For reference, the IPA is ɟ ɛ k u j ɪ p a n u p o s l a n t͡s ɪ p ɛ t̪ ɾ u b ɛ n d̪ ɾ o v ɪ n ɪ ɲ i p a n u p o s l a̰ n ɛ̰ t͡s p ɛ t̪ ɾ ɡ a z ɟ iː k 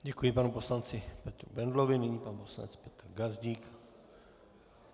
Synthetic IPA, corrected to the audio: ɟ ɛ k u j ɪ p a n u p o s l a n t͡s ɪ p ɛ t̪ ɾ u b ɛ n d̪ l o v ɪ n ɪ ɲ i p a n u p o s l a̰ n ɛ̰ t͡s p ɛ t̪ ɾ ɡ a z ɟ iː k